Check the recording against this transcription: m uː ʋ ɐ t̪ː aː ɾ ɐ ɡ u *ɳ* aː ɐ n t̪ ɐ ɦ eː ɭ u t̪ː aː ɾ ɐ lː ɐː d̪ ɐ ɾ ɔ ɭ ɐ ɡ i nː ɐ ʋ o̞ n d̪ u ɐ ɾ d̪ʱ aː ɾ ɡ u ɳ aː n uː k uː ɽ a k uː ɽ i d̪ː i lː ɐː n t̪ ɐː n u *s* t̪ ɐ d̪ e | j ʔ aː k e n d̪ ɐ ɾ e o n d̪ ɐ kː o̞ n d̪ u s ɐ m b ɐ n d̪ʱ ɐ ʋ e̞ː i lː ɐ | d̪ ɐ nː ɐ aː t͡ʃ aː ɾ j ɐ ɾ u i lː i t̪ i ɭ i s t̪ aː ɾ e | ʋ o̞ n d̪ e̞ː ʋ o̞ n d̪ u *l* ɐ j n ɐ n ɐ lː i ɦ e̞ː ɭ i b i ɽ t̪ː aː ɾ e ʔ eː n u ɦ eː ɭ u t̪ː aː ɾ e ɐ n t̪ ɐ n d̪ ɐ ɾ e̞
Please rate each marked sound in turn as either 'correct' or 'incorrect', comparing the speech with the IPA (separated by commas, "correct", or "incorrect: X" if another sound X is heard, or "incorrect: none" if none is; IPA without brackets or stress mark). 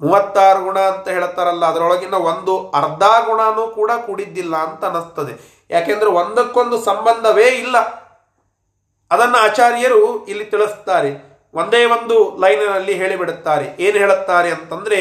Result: correct, correct, correct